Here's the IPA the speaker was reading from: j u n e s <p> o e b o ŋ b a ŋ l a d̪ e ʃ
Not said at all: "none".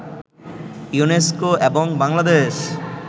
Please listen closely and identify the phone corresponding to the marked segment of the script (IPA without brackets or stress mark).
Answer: k